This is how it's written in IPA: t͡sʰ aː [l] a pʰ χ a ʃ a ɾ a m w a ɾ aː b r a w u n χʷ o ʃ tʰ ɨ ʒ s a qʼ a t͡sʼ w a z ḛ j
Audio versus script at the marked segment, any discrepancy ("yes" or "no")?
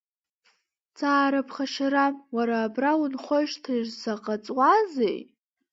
yes